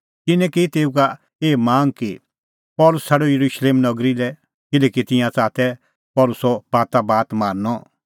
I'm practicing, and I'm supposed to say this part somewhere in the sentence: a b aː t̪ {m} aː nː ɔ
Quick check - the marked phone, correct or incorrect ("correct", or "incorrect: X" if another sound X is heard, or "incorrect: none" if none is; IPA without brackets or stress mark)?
correct